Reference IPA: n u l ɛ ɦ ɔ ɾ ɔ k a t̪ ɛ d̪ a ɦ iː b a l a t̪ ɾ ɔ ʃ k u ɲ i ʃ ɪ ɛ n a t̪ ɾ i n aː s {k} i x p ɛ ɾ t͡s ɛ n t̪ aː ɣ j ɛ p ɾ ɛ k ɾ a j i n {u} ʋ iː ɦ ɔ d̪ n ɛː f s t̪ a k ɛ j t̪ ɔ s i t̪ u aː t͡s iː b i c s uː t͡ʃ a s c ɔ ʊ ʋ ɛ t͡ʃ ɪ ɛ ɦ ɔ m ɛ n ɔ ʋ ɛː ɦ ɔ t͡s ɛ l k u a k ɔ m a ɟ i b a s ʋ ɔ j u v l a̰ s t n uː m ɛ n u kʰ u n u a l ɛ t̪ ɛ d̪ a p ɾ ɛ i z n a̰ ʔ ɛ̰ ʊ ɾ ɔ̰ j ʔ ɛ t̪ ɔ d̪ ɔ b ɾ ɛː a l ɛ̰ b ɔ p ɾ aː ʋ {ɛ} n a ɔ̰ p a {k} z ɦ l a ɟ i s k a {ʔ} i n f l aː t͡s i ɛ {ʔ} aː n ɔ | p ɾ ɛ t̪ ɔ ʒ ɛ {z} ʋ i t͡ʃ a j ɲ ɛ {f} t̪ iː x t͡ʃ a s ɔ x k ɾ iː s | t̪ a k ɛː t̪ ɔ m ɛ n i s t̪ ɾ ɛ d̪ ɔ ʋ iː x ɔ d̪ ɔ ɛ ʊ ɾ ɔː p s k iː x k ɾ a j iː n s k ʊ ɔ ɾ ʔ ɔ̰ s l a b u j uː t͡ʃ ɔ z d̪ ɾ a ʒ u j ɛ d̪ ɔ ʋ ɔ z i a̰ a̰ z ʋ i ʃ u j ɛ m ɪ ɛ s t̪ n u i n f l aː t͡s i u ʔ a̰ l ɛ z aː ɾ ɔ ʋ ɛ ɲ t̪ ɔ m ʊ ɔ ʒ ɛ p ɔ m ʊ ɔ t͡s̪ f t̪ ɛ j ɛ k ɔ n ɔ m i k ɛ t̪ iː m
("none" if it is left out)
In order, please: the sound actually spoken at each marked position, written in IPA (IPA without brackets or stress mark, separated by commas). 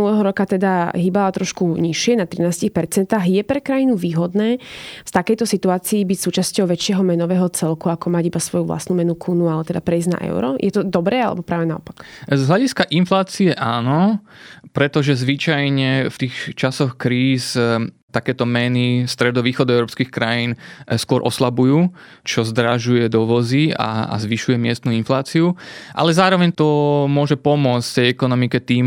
c, u, ɛ, k, ʔ, ʔ, z, f